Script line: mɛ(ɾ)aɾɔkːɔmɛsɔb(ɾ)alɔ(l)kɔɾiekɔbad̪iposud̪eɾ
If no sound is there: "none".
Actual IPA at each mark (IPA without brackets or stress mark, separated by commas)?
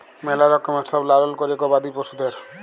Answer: l, l, l